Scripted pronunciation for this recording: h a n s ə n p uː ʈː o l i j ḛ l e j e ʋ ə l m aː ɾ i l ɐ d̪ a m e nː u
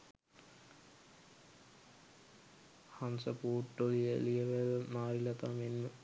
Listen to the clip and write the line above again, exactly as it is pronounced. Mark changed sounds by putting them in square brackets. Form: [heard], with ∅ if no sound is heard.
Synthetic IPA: h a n s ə [∅] p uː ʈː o l i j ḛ l [i] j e ʋ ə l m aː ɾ i l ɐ [t̪] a m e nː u